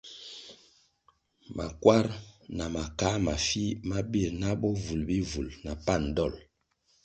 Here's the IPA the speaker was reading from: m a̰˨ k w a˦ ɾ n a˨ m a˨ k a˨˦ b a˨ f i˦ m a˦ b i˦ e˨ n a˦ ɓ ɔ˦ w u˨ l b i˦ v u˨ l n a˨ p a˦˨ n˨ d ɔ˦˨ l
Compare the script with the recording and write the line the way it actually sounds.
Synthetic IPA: m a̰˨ k w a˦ ɾ n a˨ m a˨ k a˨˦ m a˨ f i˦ m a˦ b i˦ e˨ n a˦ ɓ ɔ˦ v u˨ l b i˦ v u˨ l n a˨ p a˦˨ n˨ d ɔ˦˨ l